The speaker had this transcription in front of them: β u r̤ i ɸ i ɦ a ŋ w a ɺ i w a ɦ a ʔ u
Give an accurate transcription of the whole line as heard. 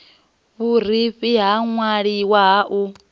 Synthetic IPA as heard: β u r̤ i ɸ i ɦ a ŋ w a ɺ i w a ɦ a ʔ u